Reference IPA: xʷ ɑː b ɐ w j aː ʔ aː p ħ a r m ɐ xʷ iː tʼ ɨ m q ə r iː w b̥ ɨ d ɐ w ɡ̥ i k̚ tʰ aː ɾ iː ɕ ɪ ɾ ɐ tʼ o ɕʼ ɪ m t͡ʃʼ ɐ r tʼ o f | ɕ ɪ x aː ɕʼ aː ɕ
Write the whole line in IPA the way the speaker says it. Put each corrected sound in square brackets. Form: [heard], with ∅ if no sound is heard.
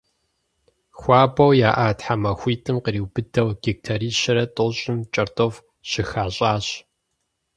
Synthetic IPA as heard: xʷ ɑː b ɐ w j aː ʔ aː [t] ħ a [∅] m ɐ xʷ iː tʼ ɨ m q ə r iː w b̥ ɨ d ɐ w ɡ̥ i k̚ tʰ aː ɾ iː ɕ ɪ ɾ ɐ tʼ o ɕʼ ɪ m t͡ʃʼ ɐ r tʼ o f | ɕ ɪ x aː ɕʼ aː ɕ